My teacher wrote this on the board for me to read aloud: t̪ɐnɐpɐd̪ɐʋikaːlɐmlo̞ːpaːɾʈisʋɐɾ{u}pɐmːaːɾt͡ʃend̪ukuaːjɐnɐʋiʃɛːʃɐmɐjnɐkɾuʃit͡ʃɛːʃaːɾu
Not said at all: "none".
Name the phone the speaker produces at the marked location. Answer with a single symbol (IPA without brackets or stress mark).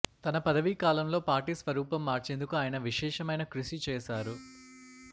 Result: uː